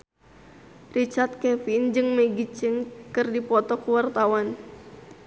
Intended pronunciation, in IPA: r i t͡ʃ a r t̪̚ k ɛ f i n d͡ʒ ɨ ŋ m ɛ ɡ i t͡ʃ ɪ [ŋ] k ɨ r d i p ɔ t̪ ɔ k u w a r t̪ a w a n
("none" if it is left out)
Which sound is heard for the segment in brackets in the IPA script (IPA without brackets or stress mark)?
ŋ